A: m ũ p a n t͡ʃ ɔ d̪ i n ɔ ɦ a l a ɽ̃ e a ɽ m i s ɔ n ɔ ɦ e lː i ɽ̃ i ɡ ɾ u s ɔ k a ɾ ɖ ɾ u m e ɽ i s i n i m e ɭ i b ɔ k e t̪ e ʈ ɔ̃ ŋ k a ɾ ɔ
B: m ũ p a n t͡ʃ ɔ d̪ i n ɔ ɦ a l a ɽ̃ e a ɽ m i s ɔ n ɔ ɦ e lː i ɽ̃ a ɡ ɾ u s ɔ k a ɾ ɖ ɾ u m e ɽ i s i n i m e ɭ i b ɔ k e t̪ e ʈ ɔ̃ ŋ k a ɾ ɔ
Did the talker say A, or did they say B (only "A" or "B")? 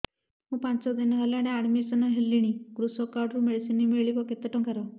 A